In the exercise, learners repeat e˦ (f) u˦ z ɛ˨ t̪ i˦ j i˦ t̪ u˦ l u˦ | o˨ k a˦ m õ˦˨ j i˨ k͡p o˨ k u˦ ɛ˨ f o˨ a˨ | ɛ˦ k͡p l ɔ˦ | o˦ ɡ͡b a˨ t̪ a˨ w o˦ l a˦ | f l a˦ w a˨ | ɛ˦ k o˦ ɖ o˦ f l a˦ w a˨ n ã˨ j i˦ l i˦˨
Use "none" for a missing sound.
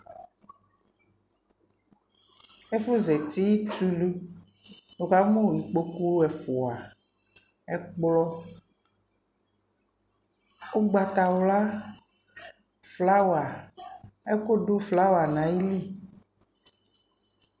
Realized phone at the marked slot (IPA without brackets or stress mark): f